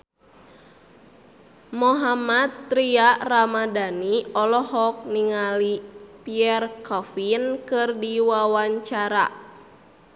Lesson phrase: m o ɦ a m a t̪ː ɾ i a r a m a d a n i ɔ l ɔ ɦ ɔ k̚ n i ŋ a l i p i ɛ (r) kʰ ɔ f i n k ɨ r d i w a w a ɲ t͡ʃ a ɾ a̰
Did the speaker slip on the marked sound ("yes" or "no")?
no